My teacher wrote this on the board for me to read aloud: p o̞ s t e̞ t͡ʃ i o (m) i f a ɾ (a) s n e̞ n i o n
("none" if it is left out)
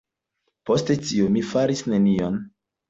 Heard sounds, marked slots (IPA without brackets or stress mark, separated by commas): m, i